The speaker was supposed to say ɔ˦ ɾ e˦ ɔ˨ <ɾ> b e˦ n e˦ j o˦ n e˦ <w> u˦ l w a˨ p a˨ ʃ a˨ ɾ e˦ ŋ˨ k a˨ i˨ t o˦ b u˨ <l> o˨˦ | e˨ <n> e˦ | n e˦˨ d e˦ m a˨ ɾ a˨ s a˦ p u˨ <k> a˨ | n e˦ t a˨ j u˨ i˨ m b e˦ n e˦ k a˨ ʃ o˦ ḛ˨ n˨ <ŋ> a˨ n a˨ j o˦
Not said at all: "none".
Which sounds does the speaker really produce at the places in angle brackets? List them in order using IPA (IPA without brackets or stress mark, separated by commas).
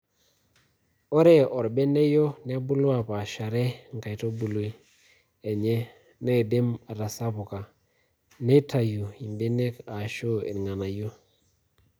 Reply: ɾ, b, l, ɲ, k, ŋ